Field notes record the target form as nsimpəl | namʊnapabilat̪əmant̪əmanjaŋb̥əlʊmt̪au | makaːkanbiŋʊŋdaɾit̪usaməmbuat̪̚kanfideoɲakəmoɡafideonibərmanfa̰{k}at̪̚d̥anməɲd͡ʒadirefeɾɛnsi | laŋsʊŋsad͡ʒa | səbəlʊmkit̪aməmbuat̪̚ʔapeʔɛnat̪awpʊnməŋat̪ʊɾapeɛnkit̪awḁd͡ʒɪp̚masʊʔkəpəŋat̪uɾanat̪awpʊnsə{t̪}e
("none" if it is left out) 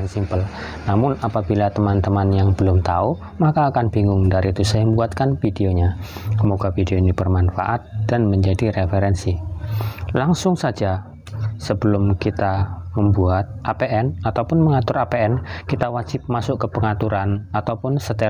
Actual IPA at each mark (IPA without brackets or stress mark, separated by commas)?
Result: ʔ, t̪